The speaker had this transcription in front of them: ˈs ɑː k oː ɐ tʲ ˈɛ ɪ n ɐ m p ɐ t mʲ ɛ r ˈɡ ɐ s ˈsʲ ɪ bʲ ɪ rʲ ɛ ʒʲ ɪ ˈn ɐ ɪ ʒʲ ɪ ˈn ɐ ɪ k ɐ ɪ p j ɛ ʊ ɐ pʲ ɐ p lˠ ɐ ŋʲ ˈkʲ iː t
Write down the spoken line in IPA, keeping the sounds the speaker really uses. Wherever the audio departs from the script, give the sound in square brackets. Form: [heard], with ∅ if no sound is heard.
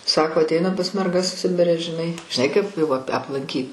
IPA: ˈs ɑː k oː ɐ tʲ ˈɛ ɪ n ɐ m p ɐ [s] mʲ ɛ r ˈɡ ɐ s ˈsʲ ɪ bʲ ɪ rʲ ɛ ʒʲ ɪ ˈn ɐ ɪ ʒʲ ɪ ˈn ɐ ɪ k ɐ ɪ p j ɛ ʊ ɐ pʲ ɐ p lˠ ɐ ŋʲ ˈkʲ iː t